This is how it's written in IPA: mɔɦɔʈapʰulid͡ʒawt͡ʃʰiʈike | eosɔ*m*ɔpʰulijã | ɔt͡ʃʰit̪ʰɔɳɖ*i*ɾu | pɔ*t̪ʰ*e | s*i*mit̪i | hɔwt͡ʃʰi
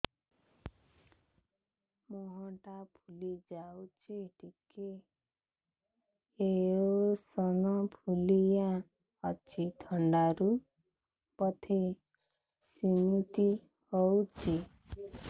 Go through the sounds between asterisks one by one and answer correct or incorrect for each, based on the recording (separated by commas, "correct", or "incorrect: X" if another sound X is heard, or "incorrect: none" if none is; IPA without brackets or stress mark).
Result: incorrect: n, incorrect: a, correct, correct